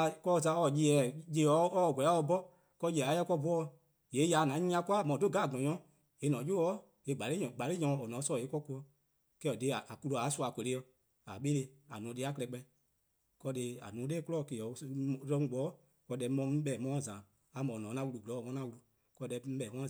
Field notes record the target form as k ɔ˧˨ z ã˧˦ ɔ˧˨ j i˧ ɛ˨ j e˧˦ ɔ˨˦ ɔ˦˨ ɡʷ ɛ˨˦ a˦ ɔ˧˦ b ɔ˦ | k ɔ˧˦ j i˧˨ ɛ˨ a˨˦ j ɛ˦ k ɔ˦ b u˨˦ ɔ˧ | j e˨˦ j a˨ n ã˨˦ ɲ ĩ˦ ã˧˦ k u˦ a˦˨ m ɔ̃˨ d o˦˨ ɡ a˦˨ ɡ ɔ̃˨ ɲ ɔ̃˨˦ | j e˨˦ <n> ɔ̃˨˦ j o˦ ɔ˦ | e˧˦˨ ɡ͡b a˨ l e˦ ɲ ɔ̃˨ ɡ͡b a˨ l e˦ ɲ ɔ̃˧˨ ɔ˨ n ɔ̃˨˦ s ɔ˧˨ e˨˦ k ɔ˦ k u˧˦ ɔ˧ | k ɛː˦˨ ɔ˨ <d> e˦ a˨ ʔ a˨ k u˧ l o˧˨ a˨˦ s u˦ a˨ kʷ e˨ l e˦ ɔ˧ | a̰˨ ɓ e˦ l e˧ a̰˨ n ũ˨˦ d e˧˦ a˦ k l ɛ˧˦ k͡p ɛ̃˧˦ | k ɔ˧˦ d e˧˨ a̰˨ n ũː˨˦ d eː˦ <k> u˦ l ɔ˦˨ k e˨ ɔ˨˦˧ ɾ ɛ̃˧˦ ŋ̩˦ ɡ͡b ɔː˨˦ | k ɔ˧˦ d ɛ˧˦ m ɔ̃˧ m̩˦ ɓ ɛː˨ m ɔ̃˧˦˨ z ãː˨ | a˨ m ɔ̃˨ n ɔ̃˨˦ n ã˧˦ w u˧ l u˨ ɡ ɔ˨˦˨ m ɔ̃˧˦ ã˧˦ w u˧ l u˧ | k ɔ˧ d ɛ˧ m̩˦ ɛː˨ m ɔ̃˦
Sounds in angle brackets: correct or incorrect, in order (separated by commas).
correct, correct, correct